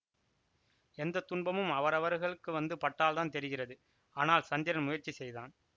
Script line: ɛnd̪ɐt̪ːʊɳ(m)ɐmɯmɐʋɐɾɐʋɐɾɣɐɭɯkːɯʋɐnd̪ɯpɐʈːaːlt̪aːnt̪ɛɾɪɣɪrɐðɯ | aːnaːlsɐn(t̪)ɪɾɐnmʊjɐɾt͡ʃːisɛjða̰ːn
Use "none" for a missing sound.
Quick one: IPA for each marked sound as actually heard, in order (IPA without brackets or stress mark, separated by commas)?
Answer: b, d̪